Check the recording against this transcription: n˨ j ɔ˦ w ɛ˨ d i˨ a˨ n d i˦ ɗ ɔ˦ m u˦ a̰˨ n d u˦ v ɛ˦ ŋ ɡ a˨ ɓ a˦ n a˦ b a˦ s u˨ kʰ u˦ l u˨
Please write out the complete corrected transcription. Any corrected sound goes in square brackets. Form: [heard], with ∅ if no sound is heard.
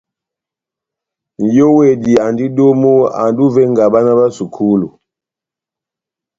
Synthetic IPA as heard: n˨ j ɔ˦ w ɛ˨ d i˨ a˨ n d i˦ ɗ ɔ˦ m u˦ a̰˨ n d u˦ v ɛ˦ ŋ ɡ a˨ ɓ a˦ n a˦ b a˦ s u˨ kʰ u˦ l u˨